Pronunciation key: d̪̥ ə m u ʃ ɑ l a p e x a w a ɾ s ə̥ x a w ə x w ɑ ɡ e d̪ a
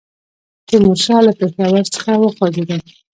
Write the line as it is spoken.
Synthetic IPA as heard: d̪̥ ə m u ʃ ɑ l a p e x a w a ɾ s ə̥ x a w ə x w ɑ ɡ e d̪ a